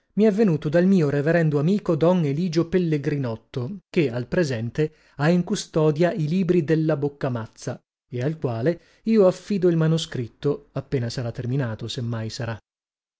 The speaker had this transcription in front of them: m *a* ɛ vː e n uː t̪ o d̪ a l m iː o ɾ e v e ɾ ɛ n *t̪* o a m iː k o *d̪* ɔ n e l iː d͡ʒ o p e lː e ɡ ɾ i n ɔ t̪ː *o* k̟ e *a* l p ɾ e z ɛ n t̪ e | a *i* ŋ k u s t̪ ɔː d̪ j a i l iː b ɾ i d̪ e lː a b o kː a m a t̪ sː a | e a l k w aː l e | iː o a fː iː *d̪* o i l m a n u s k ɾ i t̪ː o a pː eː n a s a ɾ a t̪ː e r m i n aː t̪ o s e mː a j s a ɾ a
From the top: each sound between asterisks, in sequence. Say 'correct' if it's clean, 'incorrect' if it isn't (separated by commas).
incorrect, incorrect, correct, correct, correct, correct, correct